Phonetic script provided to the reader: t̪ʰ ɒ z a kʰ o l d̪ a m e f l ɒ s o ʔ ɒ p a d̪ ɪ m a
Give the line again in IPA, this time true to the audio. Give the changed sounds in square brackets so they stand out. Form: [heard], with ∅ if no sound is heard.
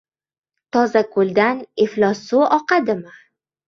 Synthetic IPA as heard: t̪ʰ ɒ z a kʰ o l d̪ a [n] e f l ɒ s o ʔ ɒ [q] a d̪ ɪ m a